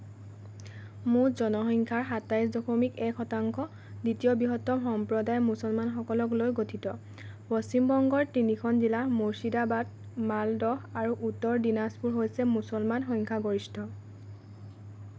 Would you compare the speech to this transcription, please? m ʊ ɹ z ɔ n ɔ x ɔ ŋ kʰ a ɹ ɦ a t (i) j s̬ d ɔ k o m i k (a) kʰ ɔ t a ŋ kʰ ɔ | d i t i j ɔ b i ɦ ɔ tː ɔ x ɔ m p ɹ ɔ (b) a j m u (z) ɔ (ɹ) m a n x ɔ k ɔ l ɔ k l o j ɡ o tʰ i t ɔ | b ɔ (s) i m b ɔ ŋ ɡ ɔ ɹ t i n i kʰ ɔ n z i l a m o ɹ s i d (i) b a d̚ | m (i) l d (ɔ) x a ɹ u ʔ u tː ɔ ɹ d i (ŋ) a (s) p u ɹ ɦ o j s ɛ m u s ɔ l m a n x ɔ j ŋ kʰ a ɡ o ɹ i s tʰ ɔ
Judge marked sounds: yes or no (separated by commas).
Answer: no, no, no, no, no, yes, no, no, yes, no, yes